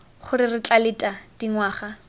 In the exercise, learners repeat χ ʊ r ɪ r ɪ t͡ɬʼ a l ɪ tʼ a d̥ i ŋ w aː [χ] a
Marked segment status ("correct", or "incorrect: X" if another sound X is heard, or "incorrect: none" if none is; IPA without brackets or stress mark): correct